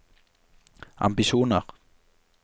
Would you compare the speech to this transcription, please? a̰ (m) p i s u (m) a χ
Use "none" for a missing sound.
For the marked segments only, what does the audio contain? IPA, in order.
m, n

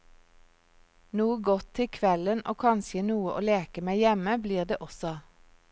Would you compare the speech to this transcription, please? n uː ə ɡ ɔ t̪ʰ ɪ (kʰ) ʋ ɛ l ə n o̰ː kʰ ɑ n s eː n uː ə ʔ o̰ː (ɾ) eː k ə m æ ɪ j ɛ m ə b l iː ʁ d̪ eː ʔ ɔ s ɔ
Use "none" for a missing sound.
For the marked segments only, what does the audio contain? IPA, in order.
kʰ, l

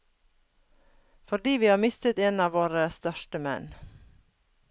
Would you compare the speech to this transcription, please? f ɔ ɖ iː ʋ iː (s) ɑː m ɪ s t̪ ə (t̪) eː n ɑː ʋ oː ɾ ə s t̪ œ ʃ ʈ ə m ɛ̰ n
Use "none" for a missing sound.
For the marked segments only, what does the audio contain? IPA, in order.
h, t̪

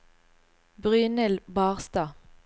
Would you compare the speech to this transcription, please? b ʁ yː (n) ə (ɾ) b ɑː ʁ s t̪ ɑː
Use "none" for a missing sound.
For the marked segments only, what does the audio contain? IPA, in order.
n, l

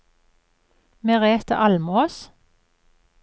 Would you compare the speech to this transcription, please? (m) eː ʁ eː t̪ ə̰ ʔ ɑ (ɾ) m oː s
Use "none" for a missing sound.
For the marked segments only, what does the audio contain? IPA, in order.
m, l

